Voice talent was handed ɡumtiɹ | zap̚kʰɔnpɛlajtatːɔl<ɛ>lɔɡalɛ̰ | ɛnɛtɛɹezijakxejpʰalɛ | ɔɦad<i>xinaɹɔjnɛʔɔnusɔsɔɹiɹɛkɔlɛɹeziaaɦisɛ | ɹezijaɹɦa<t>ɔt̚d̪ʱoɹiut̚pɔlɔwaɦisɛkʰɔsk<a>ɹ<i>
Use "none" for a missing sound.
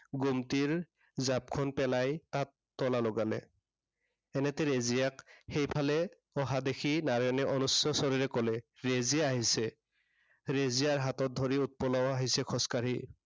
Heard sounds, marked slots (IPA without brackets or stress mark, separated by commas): a, e, t, a, i